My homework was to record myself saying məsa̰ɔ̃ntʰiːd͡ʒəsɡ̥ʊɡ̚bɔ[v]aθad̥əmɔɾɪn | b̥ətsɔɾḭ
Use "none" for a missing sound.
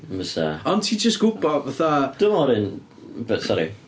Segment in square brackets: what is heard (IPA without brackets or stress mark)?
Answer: v